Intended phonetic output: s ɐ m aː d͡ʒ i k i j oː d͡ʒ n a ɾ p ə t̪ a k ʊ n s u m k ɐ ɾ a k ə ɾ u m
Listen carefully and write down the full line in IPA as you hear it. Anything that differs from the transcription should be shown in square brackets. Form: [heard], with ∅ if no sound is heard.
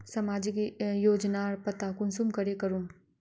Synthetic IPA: s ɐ m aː d͡ʒ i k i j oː d͡ʒ n a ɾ p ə t̪ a k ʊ n s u m k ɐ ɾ [e] k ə ɾ u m